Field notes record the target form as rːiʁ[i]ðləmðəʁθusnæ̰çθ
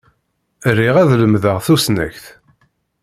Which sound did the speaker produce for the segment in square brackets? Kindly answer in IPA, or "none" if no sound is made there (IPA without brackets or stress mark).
æ